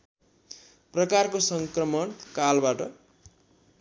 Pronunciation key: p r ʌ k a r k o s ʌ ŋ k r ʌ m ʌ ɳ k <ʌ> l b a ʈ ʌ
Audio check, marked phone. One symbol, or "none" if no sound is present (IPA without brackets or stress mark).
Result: a